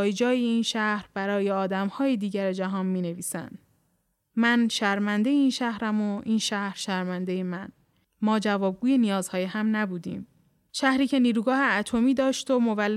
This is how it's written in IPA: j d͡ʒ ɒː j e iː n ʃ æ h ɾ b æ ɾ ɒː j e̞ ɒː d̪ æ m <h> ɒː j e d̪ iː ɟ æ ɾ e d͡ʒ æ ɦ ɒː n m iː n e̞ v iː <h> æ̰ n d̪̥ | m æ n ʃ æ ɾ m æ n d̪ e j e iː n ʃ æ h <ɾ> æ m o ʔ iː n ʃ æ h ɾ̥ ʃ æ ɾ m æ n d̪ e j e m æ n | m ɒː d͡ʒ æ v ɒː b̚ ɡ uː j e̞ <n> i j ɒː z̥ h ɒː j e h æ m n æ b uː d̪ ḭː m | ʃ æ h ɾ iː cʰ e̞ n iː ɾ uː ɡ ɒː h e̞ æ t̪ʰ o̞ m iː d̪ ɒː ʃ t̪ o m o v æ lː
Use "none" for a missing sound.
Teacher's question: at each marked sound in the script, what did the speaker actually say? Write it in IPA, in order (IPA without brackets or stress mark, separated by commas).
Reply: h, s, ɾ, n